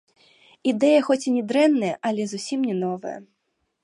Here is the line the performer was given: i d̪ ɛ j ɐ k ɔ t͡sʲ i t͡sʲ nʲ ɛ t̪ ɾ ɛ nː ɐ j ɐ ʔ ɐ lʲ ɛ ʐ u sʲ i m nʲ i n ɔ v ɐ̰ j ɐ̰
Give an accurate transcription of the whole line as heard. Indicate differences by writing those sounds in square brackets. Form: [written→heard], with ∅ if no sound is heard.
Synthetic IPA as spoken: i d̪ ɛ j ɐ [k→x] ɔ t͡sʲ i [t͡sʲ→∅] nʲ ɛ [t̪→d̪] ɾ ɛ nː ɐ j ɐ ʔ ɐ lʲ ɛ [ʐ→z] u sʲ i m nʲ [i→ɛ] n ɔ v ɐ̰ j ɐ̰